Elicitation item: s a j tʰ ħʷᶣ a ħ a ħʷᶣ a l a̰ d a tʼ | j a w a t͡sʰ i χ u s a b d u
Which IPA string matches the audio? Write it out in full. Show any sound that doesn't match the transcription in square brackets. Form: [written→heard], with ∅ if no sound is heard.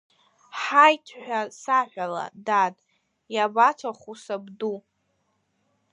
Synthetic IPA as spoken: [s→ħ] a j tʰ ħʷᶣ a [ħ→s] a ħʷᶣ a l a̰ d a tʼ | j a [w→b] a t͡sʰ [i→a] χ u s a b d u